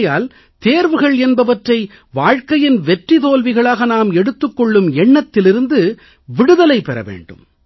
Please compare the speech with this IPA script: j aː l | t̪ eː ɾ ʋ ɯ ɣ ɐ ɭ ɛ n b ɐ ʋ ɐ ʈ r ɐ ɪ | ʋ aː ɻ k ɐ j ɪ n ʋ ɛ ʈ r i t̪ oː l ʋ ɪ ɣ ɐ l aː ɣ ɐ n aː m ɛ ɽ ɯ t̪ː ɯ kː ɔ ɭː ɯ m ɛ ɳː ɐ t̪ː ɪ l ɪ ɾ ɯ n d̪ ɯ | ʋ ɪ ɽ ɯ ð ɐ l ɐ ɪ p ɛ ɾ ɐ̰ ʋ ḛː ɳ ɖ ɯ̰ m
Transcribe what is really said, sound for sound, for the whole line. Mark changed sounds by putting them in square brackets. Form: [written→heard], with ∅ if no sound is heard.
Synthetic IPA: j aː l | t̪ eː ɾ ʋ ɯ ɣ ɐ ɭ ɛ n b ɐ ʋ ɐ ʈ r ɐ ɪ | ʋ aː ɻ k ɐ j ɪ n ʋ ɛ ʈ r i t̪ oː l ʋ ɪ ɣ ɐ [l→ɭ] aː ɣ ɐ n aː m ɛ ɽ ɯ t̪ː ɯ kː ɔ ɭː ɯ m ɛ ɳː ɐ t̪ː ɪ l ɪ ɾ ɯ n d̪ ɯ | ʋ ɪ ɽ ɯ ð ɐ l ɐ ɪ p ɛ ɾ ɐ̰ ʋ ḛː ɳ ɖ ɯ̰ m